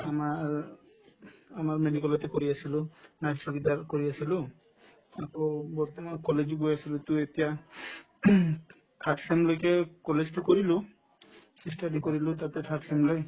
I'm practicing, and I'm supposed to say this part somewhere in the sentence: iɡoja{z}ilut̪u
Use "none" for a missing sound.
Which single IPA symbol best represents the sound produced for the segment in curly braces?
s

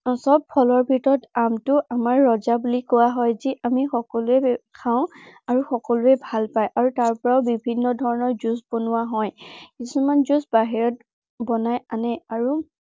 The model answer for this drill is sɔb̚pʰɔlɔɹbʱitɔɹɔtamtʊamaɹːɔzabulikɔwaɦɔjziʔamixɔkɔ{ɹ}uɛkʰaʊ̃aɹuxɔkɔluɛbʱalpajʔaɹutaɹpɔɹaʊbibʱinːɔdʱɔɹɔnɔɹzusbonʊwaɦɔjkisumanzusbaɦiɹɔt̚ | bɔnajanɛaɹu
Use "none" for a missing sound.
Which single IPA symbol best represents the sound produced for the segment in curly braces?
l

